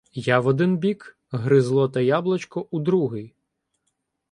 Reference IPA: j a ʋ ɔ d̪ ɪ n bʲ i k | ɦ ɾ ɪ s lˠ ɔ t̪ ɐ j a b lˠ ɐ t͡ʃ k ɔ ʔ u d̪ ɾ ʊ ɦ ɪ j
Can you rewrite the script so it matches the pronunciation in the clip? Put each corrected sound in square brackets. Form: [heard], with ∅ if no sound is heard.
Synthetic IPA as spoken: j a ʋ ɔ d̪ ɪ n bʲ i k | ɦ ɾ ɪ [z] lˠ ɔ t̪ ɐ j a b lˠ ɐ t͡ʃ k ɔ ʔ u d̪ ɾ [u] ɦ ɪ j